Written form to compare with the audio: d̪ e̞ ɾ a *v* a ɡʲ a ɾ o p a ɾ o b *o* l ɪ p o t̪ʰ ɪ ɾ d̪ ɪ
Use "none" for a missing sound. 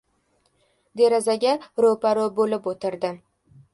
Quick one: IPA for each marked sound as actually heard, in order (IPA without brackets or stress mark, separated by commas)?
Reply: z, o